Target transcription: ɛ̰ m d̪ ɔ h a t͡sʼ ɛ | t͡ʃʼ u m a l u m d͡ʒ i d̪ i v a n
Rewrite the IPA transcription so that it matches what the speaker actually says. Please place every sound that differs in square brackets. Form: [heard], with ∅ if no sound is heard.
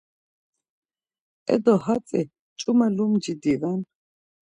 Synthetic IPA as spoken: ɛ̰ [∅] d̪ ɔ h a t͡sʼ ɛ | t͡ʃʼ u m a l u m d͡ʒ i d̪ i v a n